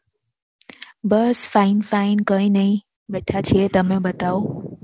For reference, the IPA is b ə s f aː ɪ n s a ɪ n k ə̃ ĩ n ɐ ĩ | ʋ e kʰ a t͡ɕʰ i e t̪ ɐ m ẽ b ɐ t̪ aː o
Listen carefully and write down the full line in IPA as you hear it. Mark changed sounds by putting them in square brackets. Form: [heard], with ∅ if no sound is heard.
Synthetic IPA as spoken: b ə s f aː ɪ n [f] a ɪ n k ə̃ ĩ n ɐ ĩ | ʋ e [ʈʰ] a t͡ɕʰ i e t̪ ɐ m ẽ b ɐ t̪ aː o